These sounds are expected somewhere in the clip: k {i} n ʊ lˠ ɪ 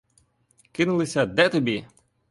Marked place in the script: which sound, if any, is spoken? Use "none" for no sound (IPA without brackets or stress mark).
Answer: ɪ